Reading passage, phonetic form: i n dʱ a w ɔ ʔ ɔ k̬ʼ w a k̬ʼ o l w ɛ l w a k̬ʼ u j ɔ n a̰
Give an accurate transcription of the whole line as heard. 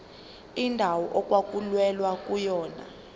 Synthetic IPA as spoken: i n dʱ a w ɔ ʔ ɔ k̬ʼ w a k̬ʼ u l w ɛ l w a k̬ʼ u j ɔː n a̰